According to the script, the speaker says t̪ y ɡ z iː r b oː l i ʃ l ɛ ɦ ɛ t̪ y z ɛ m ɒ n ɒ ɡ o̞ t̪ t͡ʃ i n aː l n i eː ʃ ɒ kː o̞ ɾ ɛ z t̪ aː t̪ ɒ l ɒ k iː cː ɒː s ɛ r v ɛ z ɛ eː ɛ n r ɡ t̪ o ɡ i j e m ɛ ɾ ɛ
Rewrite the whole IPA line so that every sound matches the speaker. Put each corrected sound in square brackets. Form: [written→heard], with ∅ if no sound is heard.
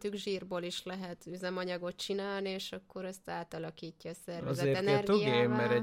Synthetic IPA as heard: t̪ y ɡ [z→ʒ] iː r b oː l i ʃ l ɛ ɦ ɛ t̪ y z ɛ m ɒ [n→ɲ] ɒ ɡ o̞ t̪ t͡ʃ i n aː l n i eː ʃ ɒ kː o̞ ɾ ɛ [z→s] t̪ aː t̪ ɒ l ɒ k iː cː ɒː s ɛ r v ɛ z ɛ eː ɛ n r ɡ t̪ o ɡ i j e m ɛ ɾ ɛ